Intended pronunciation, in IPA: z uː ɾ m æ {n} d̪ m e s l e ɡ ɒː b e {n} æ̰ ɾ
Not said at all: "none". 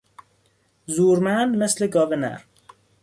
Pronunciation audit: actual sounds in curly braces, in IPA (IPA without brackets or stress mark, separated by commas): n, n